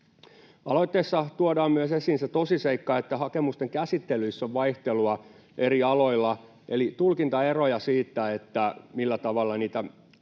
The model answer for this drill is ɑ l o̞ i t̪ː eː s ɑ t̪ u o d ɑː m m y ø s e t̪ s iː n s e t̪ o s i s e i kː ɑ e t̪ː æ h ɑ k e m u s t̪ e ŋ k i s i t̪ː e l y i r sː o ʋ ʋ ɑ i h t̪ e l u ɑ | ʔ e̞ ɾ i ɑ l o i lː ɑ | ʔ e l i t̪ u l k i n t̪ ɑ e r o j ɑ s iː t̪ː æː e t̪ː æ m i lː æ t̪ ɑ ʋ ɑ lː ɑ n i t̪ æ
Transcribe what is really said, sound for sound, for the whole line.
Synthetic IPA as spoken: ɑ l o̞ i t̪ː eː sː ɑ t̪ u o d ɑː m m y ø s e s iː n s e t̪ o s i s e i kː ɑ e t̪ː æ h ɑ k e m u s t̪ e ŋ k æ s i t̪ː e l y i sː o ʋ ʋ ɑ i h t̪ e l u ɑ | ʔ e̞ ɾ i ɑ l o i lː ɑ | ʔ e l i t̪ u l k i n t̪ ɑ e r o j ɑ s iː t̪ː æ e t̪ː æ m i lː æ t̪ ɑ ʋ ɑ lː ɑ n iː t̪ æ